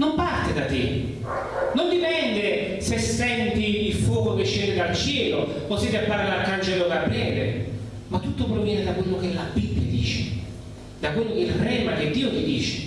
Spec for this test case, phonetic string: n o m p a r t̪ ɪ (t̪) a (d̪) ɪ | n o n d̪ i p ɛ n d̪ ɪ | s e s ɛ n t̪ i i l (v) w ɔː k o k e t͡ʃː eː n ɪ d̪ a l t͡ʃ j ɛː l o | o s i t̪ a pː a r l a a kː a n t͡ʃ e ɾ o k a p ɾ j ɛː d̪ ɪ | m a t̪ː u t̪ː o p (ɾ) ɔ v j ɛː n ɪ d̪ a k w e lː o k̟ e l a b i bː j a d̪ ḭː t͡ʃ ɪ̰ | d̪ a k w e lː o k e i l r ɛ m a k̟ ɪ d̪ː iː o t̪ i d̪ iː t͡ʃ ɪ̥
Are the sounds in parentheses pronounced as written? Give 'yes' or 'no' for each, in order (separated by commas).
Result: no, no, no, yes